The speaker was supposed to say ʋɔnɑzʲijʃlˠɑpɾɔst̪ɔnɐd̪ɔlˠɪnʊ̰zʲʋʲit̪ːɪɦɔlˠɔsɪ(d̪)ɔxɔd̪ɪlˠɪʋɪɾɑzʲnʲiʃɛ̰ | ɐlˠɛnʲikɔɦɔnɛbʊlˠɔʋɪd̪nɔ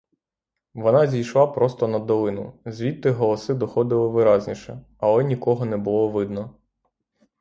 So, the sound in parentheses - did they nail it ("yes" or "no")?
yes